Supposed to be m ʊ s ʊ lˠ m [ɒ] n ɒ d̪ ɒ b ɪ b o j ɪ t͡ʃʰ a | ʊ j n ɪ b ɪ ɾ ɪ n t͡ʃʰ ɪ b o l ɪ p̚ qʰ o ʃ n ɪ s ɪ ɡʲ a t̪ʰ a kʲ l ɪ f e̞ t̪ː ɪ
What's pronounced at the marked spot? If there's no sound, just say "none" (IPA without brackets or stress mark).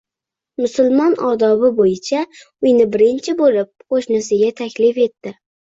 ɒ